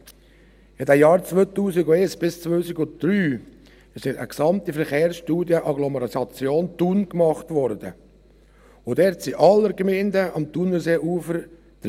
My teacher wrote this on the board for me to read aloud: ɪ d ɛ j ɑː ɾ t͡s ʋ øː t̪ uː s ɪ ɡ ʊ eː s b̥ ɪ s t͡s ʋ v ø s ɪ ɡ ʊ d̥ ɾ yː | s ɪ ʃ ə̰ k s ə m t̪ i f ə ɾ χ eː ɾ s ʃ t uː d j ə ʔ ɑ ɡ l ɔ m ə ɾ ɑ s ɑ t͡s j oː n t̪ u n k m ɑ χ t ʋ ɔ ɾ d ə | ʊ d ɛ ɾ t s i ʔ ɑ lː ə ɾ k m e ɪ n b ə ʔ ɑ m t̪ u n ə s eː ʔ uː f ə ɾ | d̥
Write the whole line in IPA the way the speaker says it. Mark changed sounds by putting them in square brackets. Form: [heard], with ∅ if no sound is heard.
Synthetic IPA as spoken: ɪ d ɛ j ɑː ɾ t͡s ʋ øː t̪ uː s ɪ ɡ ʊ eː s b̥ ɪ s t͡s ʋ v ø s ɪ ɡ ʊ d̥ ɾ yː | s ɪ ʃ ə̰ k s [ɑ] m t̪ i f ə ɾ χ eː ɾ s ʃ t uː d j ə ʔ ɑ ɡ l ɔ m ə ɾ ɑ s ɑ t͡s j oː n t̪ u n k m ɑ χ t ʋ ɔ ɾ d ə | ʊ d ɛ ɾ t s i ʔ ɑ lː ə ɾ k m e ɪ n [d] ə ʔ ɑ m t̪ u n ə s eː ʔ uː f ə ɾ | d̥